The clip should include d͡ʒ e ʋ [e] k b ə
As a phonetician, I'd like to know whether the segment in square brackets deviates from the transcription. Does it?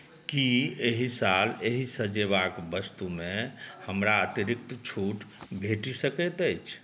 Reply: yes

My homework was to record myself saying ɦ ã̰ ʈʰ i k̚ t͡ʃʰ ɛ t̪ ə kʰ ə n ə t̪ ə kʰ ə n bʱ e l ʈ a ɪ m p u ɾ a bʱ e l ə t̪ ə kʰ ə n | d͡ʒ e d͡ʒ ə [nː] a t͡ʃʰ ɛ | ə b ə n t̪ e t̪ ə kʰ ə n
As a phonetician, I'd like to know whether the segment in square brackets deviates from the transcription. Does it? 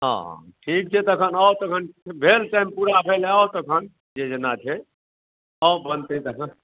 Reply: yes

